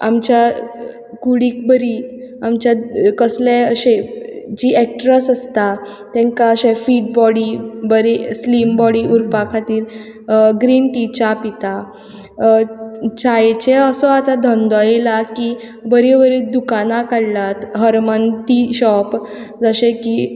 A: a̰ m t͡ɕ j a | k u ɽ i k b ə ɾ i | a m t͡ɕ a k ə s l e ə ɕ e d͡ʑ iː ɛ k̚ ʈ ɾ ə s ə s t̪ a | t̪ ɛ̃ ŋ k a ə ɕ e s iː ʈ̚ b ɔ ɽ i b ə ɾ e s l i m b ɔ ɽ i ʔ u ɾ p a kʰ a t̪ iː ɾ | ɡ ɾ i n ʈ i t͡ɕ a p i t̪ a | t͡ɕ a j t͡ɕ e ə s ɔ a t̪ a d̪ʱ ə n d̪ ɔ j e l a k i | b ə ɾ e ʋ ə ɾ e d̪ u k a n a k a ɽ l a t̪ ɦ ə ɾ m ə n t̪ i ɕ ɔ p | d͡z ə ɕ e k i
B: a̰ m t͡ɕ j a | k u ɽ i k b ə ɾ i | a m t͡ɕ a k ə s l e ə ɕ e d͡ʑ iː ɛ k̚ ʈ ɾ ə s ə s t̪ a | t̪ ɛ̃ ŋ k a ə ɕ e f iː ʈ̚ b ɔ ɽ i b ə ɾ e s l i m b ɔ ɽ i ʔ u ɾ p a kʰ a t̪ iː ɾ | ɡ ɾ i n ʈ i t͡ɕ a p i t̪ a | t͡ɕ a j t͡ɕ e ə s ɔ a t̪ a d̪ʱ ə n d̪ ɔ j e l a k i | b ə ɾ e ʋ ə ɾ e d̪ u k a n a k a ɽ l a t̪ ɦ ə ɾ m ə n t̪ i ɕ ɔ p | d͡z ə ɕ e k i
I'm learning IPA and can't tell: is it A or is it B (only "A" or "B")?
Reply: B